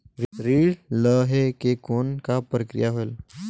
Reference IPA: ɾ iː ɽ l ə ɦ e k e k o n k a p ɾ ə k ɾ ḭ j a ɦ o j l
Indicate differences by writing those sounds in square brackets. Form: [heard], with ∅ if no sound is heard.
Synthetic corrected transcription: ɾ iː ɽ l ə ɦ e k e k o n k a p ɾ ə k ɾ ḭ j a ɦ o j l